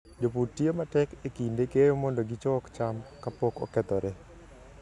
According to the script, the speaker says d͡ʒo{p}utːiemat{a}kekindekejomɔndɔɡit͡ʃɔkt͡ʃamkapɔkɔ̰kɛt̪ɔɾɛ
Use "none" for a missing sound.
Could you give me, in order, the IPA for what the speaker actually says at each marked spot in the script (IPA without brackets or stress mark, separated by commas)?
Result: p, ɛ